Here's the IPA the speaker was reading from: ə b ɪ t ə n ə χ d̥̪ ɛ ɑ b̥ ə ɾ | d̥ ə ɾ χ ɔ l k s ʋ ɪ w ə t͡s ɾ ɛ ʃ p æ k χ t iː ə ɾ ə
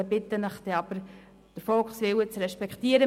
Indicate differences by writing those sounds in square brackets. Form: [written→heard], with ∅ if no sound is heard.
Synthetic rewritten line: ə b ɪ t ə n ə χ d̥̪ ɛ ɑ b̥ ə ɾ | d̥ ə ɾ [χ→f] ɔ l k s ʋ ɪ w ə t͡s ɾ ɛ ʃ p [æ→ɛ] k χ t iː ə ɾ ə